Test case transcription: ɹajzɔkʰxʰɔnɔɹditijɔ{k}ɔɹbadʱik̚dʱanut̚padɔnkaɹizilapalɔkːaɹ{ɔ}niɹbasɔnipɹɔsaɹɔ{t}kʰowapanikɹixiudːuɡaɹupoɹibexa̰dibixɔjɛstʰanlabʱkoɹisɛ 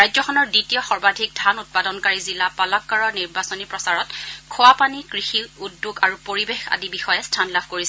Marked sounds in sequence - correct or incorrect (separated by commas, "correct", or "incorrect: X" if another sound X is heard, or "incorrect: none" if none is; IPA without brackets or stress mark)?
incorrect: x, correct, correct